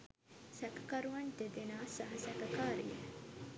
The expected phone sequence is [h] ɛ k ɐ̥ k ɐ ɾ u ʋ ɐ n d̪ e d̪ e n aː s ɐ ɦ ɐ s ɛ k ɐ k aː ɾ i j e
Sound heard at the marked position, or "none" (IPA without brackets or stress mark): s